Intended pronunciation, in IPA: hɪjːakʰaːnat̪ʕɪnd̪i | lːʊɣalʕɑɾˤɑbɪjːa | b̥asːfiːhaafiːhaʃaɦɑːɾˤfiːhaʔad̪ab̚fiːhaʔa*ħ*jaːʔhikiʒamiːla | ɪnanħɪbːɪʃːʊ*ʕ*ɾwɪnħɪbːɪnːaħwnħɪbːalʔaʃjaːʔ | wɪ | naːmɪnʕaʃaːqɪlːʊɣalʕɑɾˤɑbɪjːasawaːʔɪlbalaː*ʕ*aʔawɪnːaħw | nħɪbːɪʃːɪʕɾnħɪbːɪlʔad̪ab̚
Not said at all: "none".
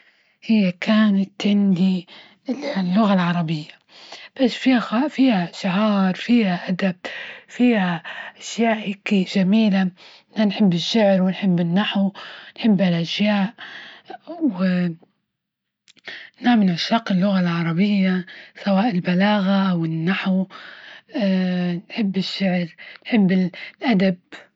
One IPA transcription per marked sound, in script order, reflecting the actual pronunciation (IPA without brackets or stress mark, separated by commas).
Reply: ʃ, ʕ, ɣ